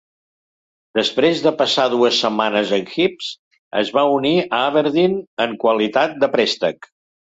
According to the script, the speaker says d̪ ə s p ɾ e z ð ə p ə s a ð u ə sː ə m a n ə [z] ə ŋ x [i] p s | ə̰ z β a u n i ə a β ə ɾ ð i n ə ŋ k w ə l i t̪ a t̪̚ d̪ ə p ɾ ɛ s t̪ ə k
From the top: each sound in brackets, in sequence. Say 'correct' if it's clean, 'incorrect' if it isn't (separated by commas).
correct, correct